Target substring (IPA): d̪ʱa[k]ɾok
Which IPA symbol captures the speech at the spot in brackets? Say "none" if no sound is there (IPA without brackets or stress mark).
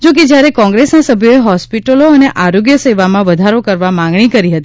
none